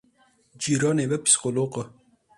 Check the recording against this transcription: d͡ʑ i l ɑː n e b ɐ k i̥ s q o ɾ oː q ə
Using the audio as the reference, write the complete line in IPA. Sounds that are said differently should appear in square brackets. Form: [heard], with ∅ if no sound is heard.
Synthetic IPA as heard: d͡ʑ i [ɾ] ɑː n e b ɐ [p] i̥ s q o [l] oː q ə